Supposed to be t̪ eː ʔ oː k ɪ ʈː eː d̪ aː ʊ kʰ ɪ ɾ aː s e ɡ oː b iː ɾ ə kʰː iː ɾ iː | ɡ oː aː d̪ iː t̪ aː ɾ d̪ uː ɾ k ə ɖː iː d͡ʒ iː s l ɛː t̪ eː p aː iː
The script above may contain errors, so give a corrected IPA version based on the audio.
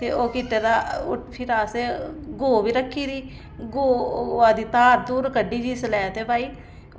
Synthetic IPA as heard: t̪ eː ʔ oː k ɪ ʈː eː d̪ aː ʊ pʰ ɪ ɾ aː s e ɡ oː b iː ɾ ə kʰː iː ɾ iː | ɡ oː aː d̪ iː t̪ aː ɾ d̪ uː ɾ k ə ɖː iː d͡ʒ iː s l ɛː t̪ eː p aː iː